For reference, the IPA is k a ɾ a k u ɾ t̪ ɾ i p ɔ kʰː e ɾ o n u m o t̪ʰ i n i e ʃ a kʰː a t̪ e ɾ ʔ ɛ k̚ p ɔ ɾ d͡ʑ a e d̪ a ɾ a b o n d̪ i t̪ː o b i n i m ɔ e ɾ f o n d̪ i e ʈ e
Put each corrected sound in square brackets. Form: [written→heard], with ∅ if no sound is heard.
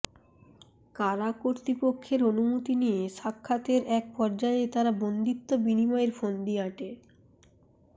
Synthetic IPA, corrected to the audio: k a ɾ a k [u→o] ɾ t̪ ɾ i p [ɔ→o] kʰː e ɾ o n u m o [t̪ʰ→t̪] i n i e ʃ a kʰː a t̪ e ɾ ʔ ɛ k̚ p ɔ ɾ d͡ʑ a e [d̪→t̪] a ɾ a b o n d̪ i t̪ː o b i n i m ɔ e ɾ f o n d̪ i [e→a] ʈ e